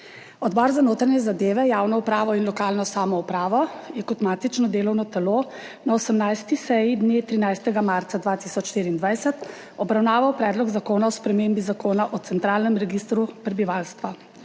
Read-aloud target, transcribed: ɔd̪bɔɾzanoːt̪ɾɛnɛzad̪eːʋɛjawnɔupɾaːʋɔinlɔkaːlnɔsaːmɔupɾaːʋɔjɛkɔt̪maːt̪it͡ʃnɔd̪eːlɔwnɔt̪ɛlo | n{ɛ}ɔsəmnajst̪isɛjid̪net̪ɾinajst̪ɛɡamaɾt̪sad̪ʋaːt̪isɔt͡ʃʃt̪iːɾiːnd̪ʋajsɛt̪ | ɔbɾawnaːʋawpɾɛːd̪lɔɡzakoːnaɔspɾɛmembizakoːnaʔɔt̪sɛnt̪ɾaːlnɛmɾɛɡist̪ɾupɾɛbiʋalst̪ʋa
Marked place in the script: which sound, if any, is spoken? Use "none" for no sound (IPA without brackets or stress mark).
a